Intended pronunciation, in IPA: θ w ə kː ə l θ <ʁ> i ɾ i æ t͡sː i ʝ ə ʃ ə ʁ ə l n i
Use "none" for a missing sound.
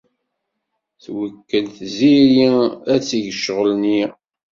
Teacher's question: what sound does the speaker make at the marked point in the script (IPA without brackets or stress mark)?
z